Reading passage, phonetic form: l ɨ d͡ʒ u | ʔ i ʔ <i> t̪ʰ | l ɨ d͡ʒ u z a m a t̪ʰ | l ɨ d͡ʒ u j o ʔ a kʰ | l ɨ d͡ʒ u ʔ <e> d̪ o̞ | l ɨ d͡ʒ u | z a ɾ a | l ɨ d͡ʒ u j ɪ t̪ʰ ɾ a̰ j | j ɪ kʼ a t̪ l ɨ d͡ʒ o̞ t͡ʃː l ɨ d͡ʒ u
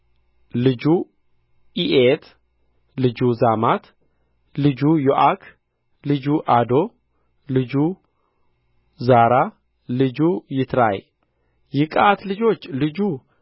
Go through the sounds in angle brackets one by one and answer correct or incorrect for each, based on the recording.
incorrect, incorrect

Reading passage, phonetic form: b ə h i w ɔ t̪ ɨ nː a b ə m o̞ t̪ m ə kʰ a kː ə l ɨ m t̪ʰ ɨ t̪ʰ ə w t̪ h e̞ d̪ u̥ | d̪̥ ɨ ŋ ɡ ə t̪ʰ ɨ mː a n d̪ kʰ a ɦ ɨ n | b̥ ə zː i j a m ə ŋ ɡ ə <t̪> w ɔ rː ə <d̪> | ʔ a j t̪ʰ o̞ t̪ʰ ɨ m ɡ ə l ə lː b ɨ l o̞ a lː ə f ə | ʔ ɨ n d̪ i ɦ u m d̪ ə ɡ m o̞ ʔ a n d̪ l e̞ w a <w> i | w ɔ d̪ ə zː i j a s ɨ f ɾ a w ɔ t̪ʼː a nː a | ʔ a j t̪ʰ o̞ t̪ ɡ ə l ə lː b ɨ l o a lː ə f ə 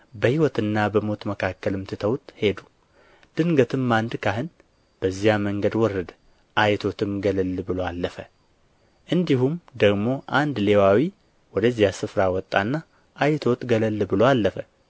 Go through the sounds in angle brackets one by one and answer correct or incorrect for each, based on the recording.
incorrect, correct, correct

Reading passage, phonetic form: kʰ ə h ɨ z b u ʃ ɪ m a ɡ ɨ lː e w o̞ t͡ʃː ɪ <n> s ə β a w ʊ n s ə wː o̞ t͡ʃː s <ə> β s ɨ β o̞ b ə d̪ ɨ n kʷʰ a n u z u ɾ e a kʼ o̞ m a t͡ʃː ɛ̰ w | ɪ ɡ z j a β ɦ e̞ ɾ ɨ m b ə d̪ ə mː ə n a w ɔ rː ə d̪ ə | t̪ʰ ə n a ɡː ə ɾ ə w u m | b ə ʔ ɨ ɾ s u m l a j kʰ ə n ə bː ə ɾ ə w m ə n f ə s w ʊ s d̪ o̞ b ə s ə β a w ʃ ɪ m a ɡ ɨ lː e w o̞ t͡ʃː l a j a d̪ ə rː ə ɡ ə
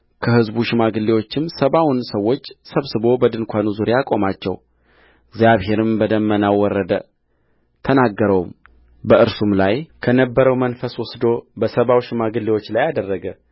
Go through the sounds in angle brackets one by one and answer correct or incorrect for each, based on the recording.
incorrect, correct

